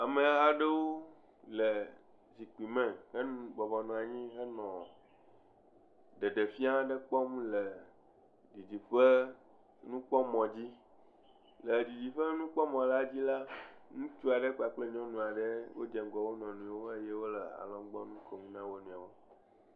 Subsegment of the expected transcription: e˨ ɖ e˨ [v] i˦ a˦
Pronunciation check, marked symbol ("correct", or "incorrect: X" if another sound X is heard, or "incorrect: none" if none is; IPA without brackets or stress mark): incorrect: f